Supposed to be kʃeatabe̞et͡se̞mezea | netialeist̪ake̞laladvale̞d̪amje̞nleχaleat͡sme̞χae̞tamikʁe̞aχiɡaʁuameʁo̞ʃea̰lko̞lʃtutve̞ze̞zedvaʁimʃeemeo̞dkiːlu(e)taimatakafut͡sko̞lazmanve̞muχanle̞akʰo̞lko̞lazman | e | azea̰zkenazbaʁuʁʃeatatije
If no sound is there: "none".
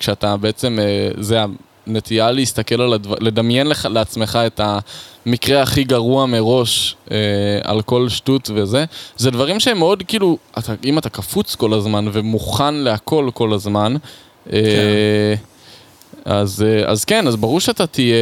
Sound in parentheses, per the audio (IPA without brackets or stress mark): a